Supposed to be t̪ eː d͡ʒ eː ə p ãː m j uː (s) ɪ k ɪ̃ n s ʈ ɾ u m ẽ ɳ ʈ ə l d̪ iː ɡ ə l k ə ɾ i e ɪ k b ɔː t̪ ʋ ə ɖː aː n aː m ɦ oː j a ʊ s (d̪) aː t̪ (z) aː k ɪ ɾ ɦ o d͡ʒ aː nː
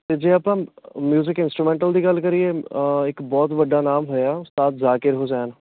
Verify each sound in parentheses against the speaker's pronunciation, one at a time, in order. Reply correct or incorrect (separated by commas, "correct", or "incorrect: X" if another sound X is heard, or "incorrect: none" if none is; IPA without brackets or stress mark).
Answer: incorrect: z, incorrect: t̪, correct